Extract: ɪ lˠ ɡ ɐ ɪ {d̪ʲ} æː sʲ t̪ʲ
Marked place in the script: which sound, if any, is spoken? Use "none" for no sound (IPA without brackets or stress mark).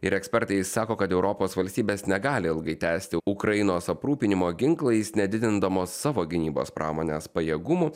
t̪ʲ